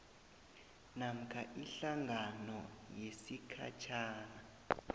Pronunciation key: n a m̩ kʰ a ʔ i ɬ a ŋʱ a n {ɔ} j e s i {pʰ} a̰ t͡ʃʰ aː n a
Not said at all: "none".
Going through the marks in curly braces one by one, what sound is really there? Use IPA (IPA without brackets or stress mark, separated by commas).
ɔ, kʰ